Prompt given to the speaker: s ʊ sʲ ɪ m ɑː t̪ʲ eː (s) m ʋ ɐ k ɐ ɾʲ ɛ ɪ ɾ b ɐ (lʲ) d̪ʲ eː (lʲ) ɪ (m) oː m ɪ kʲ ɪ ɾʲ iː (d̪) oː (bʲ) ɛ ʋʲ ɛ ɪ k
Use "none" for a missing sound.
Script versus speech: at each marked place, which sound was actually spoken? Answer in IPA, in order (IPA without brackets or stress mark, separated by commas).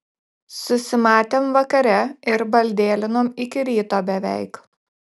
none, lʲ, lʲ, n, t̪, bʲ